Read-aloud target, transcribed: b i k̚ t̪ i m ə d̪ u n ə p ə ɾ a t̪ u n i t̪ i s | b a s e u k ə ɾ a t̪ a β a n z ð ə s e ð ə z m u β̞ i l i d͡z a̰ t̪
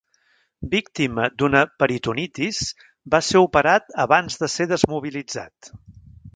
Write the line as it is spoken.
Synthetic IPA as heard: b i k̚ t̪ i m ə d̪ u n ə p ə ɾ i t̪ u n i t̪ i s | b a s e u p ə ɾ a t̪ ə β a n z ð ə s e ð ə z m u β̞ i l i d͡z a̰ t̪

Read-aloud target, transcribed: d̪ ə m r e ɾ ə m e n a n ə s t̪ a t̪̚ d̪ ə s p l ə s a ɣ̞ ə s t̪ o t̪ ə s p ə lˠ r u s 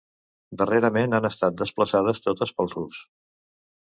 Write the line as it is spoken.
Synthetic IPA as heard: d̪ ə r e ɾ ə m e n a n ə s t̪ a t̪̚ d̪ ə s p l ə s a ð̞ ə s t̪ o t̪ ə s p ə lˠ r u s

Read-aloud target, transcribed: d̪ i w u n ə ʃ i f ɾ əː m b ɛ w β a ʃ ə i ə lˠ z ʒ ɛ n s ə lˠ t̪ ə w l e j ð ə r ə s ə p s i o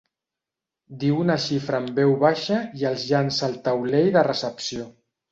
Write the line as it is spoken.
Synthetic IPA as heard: d̪ i w u n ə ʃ i f ɾ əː m b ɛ w β a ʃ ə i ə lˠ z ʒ a n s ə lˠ t̪ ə w l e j ð ə r ə s ə p s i o

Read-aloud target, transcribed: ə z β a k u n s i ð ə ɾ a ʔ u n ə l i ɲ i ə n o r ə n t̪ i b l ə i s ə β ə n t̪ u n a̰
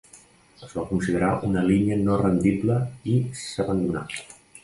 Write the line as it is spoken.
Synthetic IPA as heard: ə z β a k u n s i ð ə ɾ a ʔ u n ə l i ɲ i ə n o r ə n d̪ i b l ə i s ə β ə n d̪ u n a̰

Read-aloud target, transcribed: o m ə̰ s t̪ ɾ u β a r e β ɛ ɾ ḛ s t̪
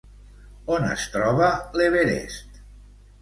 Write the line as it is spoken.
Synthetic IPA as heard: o n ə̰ s t̪ ɾ ɔ β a l e β e ɾ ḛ s t̪

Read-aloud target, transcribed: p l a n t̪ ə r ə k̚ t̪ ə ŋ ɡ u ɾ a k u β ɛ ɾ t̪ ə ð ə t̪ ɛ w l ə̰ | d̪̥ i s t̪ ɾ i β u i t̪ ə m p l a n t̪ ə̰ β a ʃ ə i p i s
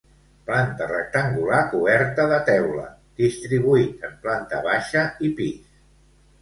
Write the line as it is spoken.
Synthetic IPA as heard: p l a n t̪ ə r ə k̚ t̪ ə ŋ ɡ u l a k u β ɛ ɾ t̪ ə ð ə t̪ ɛ w l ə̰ | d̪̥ i s t̪ ɾ i β u i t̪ ə m p l a n t̪ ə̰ β a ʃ ə i p i s

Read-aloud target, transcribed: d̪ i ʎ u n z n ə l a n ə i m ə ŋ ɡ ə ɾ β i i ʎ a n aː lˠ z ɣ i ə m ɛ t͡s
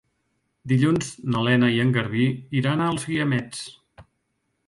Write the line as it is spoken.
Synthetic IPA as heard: d̪ i ʎ u n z n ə l ɛ n ə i ə ŋ ɡ ə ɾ β i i ɾ a n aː lˠ z ɣ i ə m ɛ t͡s

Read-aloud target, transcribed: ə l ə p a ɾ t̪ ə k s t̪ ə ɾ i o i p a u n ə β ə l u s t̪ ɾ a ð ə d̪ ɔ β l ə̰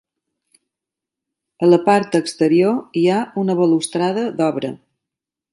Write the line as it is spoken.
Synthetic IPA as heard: ə l ə p a ɾ t̪ ə k s t̪ ə ɾ i o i a u n ə β ə l u s t̪ ɾ a ð ə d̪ ɔ β ɾ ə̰

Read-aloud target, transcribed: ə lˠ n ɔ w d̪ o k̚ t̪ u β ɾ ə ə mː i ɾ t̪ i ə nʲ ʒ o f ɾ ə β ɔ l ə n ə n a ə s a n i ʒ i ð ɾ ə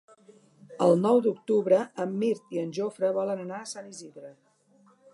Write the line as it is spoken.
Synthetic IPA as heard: ə lˠ n ɔ w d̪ u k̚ t̪ u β ɾ ə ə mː i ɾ t̪ i ə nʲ ʒ o f ɾ ə β ɔ l ə n ə n a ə s a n i z i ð ɾ ə

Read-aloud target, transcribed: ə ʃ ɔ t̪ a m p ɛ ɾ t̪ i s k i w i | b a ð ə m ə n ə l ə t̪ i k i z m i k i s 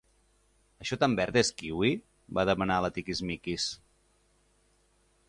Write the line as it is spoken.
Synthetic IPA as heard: ə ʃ ɔ t̪ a m b ɛ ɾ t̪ e s k i w i | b a ð ə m ə n a l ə t̪ i k i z m i k i s

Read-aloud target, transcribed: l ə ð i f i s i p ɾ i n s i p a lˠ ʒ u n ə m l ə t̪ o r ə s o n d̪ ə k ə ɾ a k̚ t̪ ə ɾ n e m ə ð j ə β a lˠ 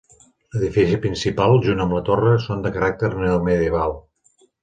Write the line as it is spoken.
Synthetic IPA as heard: l ə ð i f i s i p ɾ i n s i p a lˠ ʒ u n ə m l ə t̪ o r ə s o n d̪ ə k ə ɾ a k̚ t̪ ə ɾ n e m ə ð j ə β a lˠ

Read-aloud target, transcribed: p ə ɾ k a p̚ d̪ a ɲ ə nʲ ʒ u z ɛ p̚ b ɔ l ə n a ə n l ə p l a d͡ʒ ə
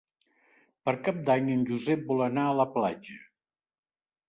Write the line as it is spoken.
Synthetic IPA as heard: p ə ɾ k a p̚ d̪ a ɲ ə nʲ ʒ u z ɛ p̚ b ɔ l ə n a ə l ə p l a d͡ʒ ə

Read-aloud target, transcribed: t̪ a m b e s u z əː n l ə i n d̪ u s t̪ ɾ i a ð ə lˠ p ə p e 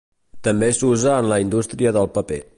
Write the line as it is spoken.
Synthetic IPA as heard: t̪ ə m b e s u z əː n l ə i n d̪ u s t̪ ɾ i ə ð ə lˠ p ə p e

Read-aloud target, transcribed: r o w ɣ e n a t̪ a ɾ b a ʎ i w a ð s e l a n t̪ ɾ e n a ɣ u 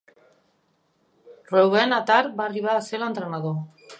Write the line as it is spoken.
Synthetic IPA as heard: r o w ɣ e n a t̪ a ɾ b a r i β a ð s e l a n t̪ ɾ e n a ð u

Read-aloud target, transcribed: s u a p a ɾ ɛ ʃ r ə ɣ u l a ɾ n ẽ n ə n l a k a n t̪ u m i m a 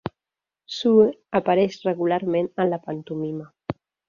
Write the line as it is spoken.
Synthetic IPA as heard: s u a p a ɾ ɛ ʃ r ə ɣ u l a ɾ m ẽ n ə n l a p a n t̪ u m i m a

